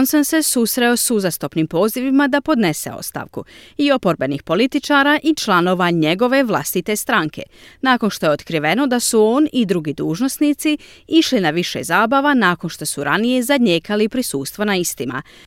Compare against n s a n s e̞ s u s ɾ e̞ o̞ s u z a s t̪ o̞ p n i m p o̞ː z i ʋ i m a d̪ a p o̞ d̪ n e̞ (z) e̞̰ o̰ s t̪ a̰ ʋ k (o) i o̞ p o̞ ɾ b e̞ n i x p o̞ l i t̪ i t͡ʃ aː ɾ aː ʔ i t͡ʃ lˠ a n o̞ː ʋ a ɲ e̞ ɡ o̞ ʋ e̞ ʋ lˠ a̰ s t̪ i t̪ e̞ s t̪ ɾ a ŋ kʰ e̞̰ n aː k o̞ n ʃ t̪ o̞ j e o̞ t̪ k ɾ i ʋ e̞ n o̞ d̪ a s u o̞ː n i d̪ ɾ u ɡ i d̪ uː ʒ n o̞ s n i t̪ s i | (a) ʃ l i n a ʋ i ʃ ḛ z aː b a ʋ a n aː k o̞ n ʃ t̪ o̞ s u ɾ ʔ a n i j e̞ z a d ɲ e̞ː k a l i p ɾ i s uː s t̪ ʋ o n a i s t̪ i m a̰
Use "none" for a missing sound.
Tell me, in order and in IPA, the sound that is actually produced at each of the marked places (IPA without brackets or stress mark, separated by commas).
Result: s, u, i